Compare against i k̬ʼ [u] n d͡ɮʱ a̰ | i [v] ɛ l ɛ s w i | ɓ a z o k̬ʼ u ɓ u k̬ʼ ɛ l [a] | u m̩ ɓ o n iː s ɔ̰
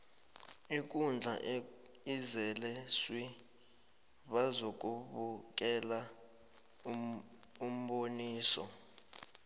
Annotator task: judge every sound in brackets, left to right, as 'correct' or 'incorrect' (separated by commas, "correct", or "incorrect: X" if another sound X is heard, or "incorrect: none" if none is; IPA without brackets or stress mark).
correct, incorrect: z, correct